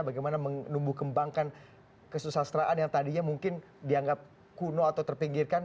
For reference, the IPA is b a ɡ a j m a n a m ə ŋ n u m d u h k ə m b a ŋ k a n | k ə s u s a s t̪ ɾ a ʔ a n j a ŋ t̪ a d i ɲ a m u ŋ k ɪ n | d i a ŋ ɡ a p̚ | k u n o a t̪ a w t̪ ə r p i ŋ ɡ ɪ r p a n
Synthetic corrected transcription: b a ɡ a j m a n a m ə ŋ n u m b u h k ə m b a ŋ k a n | k ə s u s a s t̪ ɾ a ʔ a n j a ŋ t̪ a d i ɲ a m u ŋ k ɪ n | d i a ŋ ɡ a p̚ | k u n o a t̪ a w t̪ ə r p i ŋ ɡ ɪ r k a n